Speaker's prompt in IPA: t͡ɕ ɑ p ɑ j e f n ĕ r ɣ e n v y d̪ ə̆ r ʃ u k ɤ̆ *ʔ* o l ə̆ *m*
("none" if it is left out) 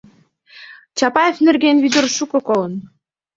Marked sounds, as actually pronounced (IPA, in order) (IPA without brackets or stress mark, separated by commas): k, n